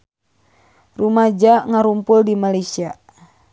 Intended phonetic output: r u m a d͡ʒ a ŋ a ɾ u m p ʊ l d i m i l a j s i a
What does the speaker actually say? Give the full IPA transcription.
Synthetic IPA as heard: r u m a d͡ʒ a ŋ a ɾ u m p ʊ l d i m a l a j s i a